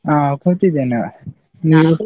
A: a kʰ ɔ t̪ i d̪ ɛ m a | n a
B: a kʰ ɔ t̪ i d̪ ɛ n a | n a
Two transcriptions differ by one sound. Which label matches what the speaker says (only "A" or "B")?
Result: B